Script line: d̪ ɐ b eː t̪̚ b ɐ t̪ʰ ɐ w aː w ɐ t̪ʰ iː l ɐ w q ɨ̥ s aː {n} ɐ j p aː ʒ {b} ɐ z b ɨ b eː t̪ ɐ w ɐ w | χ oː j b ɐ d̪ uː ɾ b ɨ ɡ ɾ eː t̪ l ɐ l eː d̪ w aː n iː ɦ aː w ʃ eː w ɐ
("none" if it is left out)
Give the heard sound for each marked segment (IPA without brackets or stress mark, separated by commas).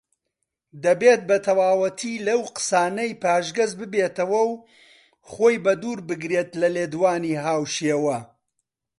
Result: n, ɡ